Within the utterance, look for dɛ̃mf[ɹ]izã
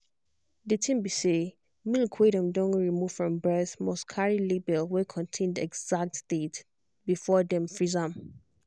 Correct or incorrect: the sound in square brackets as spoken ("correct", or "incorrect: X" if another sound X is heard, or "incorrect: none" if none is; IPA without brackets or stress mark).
correct